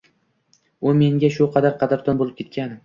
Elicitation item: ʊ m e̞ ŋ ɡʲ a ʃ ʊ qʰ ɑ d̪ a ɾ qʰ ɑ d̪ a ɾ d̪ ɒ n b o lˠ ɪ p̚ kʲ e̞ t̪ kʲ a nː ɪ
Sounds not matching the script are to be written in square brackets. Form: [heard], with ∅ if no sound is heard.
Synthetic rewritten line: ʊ m e̞ ŋ ɡʲ a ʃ ʊ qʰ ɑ d̪ a ɾ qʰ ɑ d̪ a ɾ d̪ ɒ n b o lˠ ɪ p̚ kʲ e̞ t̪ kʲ a [n] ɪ